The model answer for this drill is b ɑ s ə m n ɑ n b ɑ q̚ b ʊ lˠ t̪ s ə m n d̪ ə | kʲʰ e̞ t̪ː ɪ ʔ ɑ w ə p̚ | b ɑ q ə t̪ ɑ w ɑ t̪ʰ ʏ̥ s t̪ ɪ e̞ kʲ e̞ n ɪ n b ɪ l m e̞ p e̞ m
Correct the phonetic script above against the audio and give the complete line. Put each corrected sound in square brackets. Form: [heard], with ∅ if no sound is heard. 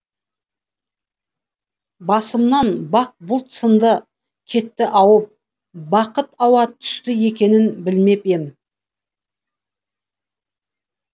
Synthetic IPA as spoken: b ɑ s ə m n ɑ n b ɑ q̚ b ʊ lˠ t̪ s ə [∅] n d̪ ə | kʲʰ e̞ t̪ː ɪ ʔ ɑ w ə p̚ | b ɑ q ə t̪ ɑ w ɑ t̪ʰ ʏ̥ s t̪ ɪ e̞ kʲ e̞ n ɪ n b ɪ l m e̞ p e̞ m

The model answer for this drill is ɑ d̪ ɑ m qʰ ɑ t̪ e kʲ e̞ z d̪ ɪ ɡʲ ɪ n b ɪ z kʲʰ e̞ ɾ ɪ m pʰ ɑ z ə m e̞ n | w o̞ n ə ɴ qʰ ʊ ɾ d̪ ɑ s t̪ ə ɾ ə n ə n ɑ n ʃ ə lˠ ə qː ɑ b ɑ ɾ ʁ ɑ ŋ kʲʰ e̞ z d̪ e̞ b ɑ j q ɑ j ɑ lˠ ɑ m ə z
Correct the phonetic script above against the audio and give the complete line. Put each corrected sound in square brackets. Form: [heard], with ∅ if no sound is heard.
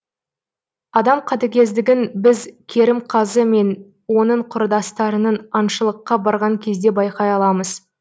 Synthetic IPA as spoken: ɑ d̪ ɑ m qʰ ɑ t̪ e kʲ e̞ z d̪ ɪ ɡʲ ɪ n b ɪ z kʲʰ e̞ ɾ ɪ m [qʰ] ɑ z ə m e̞ n | w o̞ n ə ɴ qʰ ʊ ɾ d̪ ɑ s t̪ [ɑ] ɾ ə n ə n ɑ n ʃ ə lˠ ə qː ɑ b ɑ ɾ ʁ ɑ ŋ kʲʰ e̞ z d̪ e̞ b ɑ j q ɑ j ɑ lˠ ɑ m ə z

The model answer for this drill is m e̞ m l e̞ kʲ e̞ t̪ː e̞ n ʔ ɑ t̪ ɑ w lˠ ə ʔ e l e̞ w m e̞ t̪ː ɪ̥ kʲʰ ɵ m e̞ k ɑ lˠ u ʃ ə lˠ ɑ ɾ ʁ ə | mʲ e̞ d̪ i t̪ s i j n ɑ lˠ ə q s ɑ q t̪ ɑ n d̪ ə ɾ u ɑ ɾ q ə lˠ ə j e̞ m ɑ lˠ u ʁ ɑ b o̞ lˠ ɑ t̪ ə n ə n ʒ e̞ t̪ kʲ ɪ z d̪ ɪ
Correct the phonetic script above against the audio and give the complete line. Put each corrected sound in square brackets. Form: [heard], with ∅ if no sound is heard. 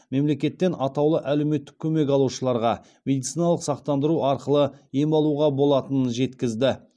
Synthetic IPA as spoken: m e̞ m l e̞ kʲ e̞ t̪ː e̞ n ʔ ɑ t̪ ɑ w lˠ ə ʔ [æ] l e̞ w m e̞ t̪ː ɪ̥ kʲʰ ɵ m e̞ k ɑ lˠ u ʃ ə lˠ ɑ ɾ ʁ [ɑ] | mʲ e̞ d̪ i t̪ s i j n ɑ lˠ ə q s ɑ q t̪ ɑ n d̪ ə ɾ u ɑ ɾ q ə lˠ ə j e̞ m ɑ lˠ u ʁ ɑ b o̞ lˠ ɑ t̪ ə n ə n ʒ e̞ t̪ kʲ ɪ z d̪ ɪ

